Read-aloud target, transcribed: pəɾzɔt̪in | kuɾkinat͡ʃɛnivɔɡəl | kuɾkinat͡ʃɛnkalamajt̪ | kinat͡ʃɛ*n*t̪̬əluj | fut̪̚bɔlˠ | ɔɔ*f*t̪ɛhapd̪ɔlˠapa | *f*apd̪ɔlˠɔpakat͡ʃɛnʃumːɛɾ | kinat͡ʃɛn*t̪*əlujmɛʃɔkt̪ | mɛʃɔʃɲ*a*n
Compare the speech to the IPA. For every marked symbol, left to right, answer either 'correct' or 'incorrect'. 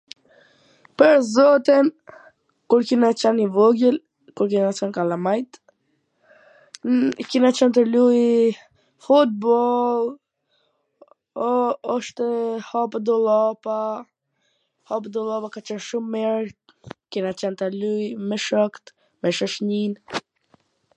correct, incorrect: ʃ, incorrect: h, correct, incorrect: i

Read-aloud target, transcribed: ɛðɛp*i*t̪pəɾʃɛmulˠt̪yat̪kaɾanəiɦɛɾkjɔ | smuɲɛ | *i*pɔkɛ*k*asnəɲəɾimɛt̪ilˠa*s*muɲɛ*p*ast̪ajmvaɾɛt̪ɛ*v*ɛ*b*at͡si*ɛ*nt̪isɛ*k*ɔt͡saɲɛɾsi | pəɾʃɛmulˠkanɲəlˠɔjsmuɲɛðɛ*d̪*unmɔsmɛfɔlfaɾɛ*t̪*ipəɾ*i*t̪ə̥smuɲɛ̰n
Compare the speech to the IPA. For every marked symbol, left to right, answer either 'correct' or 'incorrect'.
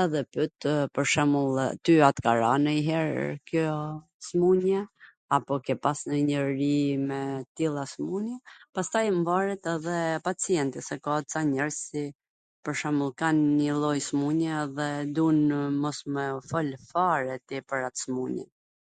incorrect: y, incorrect: a, incorrect: p, correct, correct, incorrect: ð, incorrect: p, correct, correct, correct, correct, incorrect: a

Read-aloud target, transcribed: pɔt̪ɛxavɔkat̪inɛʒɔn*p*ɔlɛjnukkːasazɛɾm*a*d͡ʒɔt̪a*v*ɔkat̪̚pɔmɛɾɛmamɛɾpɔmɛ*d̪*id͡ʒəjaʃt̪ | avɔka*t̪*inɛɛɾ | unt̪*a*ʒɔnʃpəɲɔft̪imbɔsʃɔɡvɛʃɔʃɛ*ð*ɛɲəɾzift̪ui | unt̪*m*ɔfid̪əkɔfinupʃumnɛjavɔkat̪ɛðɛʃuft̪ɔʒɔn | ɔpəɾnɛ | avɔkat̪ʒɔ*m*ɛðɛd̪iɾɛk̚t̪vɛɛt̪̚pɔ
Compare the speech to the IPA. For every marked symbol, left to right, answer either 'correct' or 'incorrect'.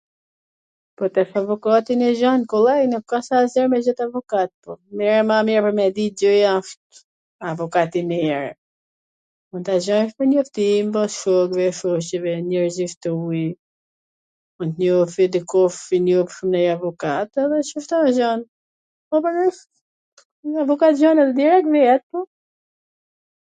incorrect: k, incorrect: ɛ, correct, correct, correct, correct, incorrect: v, incorrect: ɲ, incorrect: n

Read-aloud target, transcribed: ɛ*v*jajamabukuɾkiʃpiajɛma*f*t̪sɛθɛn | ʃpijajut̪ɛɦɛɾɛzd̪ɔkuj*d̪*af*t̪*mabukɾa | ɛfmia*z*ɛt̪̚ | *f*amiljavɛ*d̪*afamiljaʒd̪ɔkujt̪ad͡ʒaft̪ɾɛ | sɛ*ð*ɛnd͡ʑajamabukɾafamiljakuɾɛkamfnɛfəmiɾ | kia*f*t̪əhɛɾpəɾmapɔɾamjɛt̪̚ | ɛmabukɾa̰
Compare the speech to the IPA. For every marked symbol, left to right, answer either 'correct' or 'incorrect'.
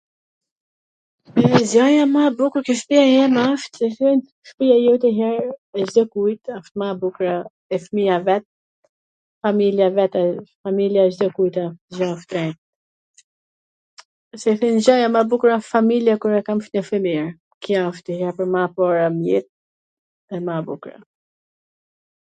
incorrect: z, correct, incorrect: t̪, correct, incorrect: v, correct, incorrect: t̪, incorrect: θ, correct

